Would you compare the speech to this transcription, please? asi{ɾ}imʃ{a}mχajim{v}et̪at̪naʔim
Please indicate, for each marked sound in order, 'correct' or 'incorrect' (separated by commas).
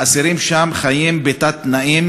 correct, correct, incorrect